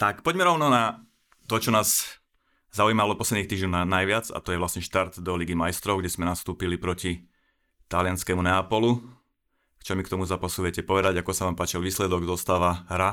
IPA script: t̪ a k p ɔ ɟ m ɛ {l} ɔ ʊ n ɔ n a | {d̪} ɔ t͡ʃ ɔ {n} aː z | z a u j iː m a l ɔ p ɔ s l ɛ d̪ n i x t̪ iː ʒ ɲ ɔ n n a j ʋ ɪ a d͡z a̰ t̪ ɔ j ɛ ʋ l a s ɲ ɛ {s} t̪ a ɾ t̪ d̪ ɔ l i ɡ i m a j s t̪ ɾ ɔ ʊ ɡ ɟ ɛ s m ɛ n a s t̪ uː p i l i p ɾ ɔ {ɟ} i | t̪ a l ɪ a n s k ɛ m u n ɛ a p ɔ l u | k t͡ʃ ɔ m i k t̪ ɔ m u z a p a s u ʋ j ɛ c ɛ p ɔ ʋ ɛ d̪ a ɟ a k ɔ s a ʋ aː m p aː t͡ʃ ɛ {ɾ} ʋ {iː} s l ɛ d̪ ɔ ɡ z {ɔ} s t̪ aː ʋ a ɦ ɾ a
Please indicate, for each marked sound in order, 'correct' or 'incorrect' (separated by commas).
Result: incorrect, incorrect, correct, incorrect, incorrect, incorrect, correct, correct